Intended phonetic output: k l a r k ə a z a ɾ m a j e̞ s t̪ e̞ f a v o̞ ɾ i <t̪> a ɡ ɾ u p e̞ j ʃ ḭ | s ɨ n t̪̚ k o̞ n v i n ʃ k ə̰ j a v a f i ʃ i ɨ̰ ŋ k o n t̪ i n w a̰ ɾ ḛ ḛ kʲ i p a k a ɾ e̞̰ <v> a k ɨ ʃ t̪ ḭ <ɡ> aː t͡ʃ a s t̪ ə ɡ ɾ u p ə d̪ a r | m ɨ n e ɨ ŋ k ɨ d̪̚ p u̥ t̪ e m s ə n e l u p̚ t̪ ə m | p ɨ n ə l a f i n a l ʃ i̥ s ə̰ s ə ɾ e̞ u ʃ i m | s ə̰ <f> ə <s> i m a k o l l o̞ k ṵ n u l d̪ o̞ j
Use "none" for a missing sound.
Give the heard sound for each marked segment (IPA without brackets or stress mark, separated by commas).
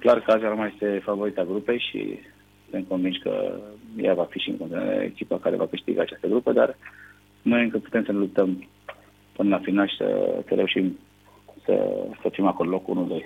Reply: t̪, v, ɡ, s, f